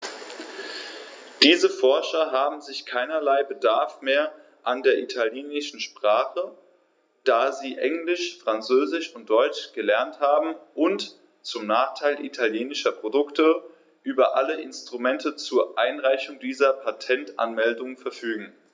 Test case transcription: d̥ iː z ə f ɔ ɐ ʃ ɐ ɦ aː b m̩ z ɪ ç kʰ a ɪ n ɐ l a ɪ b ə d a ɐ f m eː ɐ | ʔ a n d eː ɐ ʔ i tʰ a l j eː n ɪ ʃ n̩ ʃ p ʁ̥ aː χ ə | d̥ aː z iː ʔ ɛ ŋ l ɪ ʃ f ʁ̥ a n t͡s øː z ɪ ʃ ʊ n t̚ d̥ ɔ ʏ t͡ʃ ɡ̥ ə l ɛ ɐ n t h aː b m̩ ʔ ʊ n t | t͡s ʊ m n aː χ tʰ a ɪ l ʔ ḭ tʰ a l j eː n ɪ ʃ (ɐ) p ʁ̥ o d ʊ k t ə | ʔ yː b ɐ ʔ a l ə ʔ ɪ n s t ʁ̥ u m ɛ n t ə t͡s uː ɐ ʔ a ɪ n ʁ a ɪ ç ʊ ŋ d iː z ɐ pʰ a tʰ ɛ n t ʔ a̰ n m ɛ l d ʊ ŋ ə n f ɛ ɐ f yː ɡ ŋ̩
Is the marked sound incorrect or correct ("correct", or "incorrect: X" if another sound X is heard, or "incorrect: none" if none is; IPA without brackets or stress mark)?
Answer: correct